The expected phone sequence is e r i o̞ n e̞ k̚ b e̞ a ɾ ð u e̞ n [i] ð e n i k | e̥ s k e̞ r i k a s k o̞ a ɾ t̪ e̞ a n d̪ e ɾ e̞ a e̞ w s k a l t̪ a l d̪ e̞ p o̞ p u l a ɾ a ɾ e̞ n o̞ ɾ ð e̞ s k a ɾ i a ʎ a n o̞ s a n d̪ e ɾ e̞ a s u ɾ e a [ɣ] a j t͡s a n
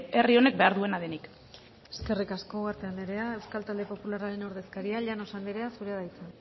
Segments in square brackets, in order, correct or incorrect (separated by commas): incorrect, incorrect